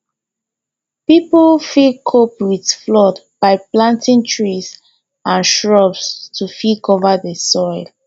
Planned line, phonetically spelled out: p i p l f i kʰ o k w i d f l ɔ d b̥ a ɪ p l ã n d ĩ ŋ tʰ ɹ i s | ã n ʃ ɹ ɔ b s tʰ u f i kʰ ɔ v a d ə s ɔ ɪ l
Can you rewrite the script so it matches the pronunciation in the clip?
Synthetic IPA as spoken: p i p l f i kʰ o p w i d f l ɔ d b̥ a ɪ p l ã n t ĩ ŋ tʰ ɹ i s | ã n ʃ ɹ ɔ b s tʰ u f i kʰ ɔ v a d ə s ɔ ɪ l